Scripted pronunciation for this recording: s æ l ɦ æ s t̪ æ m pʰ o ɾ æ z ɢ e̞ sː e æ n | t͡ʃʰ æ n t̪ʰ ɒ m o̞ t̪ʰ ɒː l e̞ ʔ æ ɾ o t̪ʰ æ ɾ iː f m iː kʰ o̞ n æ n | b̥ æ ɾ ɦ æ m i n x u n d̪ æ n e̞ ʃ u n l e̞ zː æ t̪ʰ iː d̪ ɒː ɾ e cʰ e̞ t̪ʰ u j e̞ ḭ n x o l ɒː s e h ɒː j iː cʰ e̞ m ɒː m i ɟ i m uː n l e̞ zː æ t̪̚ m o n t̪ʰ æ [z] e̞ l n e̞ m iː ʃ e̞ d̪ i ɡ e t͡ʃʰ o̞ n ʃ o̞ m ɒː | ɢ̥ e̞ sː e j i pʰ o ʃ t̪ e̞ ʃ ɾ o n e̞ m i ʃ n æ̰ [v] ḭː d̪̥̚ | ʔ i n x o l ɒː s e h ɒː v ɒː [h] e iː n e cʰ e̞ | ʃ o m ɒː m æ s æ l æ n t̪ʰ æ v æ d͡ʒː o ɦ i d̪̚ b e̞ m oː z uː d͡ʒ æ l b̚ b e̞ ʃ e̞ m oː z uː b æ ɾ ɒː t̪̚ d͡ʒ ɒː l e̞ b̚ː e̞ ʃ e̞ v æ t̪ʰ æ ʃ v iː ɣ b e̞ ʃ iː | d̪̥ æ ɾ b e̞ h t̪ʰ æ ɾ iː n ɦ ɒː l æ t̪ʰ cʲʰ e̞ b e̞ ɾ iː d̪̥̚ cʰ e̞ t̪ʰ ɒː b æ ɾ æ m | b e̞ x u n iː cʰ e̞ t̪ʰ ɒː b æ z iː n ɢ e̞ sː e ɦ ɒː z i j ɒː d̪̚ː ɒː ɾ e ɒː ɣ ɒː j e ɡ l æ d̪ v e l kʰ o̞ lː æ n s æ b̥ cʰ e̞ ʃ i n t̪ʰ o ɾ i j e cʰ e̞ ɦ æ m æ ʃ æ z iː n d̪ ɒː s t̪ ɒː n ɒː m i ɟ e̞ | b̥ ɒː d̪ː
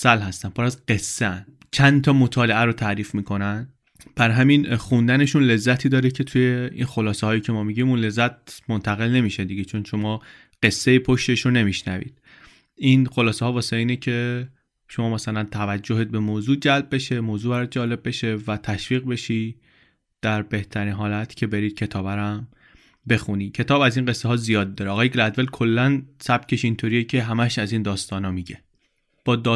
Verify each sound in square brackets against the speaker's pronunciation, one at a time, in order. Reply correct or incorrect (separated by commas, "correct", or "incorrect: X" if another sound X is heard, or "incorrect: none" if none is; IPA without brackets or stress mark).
incorrect: ɣ, correct, incorrect: s